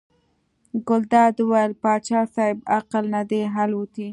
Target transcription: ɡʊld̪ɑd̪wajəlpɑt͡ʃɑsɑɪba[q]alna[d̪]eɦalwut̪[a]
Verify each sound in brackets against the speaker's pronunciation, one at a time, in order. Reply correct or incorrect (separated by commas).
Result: correct, correct, incorrect